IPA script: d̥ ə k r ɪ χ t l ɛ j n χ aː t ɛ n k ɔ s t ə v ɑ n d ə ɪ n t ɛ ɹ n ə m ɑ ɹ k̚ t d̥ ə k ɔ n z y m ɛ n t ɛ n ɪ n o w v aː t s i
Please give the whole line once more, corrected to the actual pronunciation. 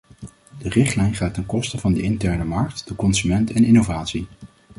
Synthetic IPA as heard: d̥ ə r ɪ χ t l ɛ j n χ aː t ɛ n k ɔ s t ə v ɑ n d ə ɪ n t ɛ ɹ n ə m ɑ ɹ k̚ t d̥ ə k ɔ n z y m ɛ n t ɛ n ɪ n o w v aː t s i